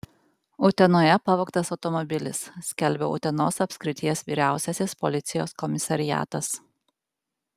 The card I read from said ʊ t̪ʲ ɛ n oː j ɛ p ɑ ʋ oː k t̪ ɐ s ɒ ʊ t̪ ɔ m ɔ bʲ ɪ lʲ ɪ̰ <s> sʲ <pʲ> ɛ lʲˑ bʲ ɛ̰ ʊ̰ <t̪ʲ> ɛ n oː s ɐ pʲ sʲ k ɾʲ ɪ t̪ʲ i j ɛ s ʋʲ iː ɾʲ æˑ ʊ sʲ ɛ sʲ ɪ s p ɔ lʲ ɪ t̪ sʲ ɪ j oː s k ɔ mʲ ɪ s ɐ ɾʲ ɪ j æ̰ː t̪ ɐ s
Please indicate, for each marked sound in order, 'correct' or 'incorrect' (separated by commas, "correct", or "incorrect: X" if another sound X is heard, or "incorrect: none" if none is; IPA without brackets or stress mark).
correct, incorrect: kʲ, correct